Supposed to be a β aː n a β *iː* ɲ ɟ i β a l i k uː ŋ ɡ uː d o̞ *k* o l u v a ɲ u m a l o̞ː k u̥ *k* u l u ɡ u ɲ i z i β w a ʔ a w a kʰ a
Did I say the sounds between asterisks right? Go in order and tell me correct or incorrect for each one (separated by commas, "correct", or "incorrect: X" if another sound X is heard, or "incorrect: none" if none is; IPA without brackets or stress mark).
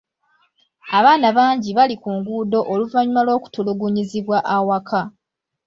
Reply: incorrect: aː, incorrect: ʔ, incorrect: t